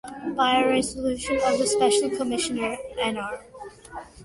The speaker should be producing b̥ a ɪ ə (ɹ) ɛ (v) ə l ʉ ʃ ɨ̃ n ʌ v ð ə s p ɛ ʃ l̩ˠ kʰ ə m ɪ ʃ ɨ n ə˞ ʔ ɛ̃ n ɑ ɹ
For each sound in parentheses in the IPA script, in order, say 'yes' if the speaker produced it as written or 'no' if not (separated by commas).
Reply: yes, no